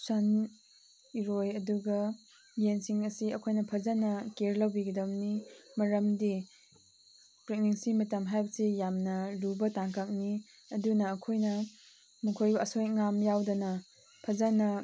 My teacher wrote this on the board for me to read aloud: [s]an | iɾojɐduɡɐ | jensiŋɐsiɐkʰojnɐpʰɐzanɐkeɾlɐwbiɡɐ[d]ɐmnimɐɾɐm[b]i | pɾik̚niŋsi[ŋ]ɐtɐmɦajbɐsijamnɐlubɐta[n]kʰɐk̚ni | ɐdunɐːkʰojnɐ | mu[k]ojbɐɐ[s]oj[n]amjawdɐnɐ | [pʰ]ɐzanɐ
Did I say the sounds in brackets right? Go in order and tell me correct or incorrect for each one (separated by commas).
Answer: correct, correct, incorrect, incorrect, incorrect, incorrect, correct, incorrect, correct